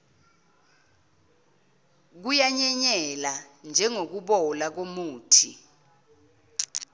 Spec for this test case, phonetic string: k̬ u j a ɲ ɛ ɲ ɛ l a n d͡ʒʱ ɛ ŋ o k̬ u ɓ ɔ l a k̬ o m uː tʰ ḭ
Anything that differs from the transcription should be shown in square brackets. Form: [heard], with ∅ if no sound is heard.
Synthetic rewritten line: k̬ u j a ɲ ɛ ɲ ɛ l a n d͡ʒʱ ɛ ŋ o k̬ u ɓ ɔ l a k̬ o m uː tʰ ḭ